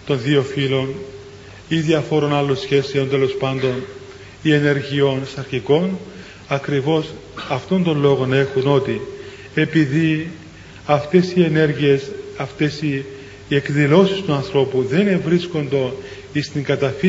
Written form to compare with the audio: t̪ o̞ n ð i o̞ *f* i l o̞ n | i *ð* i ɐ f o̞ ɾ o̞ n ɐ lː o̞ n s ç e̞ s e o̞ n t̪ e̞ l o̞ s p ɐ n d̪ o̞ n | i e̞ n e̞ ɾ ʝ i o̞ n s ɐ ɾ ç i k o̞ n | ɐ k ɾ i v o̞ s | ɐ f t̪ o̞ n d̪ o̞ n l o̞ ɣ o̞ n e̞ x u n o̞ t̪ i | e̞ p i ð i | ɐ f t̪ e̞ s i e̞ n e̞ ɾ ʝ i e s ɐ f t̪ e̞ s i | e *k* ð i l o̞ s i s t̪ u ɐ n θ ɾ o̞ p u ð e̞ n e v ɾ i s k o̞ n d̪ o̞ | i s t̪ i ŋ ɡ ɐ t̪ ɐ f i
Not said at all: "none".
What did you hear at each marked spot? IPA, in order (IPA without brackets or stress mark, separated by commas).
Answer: f, ð, k